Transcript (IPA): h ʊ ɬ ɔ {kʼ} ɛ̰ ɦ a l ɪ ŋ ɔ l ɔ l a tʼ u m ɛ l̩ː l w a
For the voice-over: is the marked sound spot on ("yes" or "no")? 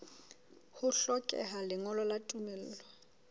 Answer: yes